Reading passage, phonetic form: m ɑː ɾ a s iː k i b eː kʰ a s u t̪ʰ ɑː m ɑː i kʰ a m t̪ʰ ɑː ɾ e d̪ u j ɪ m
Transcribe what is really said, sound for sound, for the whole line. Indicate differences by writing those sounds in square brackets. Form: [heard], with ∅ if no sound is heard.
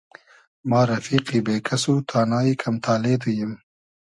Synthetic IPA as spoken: m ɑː ɾ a [f] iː [q] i b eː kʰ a s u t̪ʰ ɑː [n] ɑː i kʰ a m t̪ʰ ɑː [l] e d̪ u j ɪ m